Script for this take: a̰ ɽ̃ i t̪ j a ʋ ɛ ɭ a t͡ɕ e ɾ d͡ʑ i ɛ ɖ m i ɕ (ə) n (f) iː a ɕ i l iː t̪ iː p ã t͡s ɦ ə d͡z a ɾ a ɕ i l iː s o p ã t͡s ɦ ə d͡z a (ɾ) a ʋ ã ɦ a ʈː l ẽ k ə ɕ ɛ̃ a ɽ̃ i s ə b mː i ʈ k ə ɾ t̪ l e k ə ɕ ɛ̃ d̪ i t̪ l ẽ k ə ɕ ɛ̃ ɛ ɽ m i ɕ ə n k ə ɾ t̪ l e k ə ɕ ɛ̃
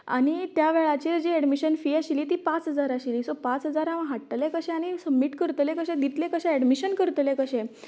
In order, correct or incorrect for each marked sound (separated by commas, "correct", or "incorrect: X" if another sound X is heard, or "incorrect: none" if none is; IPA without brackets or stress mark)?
correct, correct, correct